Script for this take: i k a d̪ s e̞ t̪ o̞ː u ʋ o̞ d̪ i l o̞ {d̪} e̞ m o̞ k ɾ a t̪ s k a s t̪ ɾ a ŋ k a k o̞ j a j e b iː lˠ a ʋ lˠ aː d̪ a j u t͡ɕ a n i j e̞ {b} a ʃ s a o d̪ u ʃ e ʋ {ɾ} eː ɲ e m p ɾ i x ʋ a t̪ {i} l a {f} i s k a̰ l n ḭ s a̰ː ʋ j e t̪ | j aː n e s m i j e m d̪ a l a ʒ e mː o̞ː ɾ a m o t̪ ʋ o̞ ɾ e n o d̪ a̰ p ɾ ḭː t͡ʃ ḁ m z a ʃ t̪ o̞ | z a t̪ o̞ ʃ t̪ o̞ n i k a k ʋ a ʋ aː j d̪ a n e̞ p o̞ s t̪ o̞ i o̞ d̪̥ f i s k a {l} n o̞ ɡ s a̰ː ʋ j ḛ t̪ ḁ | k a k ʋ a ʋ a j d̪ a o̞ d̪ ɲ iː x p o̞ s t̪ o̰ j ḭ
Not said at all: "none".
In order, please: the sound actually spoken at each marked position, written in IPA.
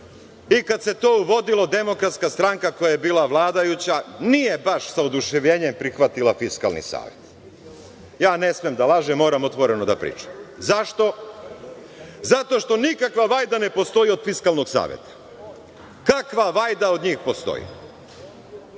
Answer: d̪, b, ʎ, i, f, l

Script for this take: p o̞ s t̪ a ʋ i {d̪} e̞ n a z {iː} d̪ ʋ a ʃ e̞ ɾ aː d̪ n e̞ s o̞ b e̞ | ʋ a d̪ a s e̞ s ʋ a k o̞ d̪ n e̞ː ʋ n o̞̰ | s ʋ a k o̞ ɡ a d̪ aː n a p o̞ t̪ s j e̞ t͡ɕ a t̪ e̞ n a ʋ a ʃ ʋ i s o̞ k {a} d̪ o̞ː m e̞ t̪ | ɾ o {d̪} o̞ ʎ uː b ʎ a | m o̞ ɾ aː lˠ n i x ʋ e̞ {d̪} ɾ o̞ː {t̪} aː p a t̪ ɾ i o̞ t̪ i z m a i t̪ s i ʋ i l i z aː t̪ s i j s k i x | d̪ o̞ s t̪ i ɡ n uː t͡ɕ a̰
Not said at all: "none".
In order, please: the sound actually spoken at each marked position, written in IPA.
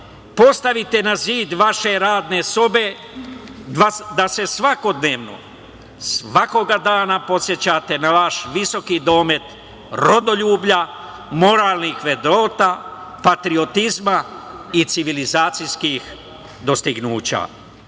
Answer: t̪, iː, i, d̪, d̪, t̪

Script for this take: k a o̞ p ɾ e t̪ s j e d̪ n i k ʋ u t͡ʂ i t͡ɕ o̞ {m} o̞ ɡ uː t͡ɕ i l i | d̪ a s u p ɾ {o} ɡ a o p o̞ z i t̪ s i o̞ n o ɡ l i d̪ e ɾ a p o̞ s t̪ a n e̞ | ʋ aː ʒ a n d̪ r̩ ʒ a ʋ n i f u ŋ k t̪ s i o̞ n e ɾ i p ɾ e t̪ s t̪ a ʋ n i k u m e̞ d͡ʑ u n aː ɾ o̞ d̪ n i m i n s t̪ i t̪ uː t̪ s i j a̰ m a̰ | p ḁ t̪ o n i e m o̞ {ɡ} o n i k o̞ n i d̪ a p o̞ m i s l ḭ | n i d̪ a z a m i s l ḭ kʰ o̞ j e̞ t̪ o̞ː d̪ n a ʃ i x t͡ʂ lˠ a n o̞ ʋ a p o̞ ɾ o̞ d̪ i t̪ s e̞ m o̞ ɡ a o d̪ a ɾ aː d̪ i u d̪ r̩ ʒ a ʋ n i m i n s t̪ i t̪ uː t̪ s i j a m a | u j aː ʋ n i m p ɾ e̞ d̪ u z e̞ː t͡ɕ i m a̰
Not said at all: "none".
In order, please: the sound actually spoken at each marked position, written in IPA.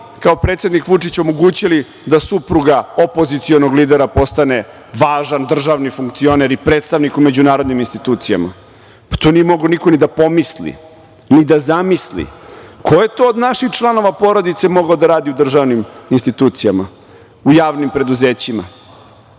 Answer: m, u, ɡ

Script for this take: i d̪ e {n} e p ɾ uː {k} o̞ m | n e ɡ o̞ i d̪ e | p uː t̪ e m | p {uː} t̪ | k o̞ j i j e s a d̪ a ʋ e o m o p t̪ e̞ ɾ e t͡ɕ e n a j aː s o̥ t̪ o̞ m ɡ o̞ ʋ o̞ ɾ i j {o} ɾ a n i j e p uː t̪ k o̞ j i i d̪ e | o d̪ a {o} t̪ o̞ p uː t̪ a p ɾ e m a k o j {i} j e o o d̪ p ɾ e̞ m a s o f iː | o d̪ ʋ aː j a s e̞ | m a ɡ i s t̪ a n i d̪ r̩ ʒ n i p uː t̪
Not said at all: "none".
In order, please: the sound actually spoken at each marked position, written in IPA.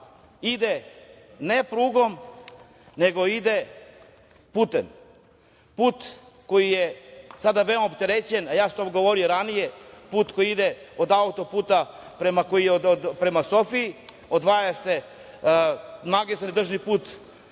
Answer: n, ɡ, uː, o, u, i

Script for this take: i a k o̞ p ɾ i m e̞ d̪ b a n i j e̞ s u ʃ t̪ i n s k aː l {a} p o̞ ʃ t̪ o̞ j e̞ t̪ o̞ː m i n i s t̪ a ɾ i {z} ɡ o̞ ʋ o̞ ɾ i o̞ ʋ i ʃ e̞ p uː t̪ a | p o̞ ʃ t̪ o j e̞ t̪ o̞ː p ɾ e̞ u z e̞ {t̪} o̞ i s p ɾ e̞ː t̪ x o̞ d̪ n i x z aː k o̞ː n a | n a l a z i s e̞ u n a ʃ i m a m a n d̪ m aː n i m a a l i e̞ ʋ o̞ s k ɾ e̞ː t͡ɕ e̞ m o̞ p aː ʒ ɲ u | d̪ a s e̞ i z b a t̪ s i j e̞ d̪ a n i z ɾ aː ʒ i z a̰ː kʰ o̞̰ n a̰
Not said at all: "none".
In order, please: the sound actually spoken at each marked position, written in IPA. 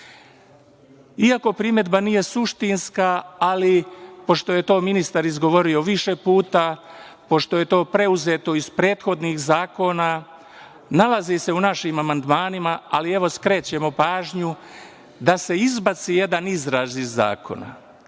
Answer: i, z, t̪

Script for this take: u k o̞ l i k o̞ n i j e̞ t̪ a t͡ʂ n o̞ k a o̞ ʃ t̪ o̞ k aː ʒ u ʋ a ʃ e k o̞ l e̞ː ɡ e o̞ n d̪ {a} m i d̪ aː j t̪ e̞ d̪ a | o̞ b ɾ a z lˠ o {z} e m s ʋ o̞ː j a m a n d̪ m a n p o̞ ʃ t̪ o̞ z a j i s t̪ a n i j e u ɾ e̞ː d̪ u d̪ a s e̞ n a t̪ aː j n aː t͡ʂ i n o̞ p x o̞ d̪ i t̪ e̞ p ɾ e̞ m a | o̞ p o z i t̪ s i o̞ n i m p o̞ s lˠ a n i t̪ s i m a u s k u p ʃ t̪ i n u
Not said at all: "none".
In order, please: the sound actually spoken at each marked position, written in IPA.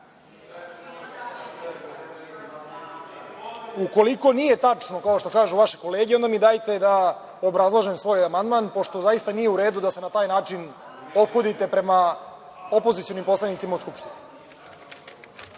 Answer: a, ʒ

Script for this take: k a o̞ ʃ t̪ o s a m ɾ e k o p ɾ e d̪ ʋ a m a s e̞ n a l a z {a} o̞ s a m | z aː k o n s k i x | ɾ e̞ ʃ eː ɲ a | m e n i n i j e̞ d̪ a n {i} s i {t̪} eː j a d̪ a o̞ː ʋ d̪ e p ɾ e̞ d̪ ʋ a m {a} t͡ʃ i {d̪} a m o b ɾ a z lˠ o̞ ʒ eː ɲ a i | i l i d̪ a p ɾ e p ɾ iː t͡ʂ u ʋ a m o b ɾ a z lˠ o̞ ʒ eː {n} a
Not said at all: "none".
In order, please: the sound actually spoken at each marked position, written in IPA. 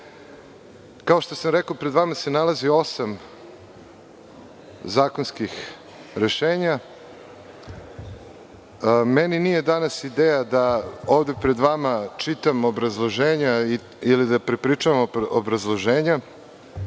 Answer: i, a, d̪, a, t̪, ɲ

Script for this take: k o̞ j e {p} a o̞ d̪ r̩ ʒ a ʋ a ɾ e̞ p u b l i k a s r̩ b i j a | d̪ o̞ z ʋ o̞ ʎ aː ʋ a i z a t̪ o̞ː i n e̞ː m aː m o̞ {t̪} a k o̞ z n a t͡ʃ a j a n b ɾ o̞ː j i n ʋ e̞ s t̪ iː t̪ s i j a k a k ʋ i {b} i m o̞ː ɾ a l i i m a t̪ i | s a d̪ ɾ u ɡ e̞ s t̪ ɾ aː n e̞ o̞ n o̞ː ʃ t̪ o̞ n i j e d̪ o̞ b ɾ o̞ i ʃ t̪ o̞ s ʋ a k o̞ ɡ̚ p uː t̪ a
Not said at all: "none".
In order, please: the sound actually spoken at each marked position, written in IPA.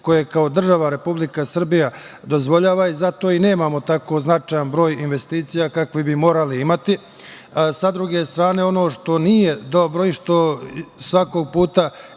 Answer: k, t̪, b

